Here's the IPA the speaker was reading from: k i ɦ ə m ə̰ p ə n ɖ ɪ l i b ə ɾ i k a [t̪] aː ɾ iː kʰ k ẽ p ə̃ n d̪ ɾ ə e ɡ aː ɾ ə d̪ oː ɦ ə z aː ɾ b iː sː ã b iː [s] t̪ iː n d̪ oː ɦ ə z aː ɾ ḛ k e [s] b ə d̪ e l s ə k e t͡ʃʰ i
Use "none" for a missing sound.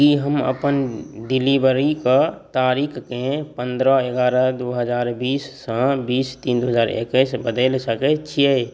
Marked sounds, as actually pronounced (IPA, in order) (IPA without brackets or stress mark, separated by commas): t̪, s, s